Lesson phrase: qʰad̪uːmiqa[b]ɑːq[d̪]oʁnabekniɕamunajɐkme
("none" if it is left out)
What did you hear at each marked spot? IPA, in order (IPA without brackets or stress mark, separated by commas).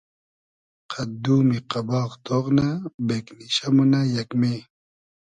b, t̪